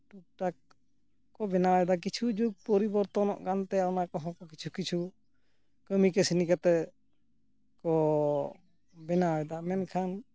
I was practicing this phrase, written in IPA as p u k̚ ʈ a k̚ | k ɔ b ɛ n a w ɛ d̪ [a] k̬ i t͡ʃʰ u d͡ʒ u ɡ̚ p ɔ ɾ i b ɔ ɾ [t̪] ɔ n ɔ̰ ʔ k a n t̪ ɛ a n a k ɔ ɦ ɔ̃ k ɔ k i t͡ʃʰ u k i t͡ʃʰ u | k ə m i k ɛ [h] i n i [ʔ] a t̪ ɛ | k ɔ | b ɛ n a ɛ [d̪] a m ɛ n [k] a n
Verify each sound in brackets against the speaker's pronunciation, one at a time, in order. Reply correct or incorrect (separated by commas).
correct, correct, incorrect, incorrect, correct, incorrect